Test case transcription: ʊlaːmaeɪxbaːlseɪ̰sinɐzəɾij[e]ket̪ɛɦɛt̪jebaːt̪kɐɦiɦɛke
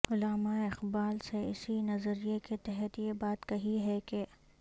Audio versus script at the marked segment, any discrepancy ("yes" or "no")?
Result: no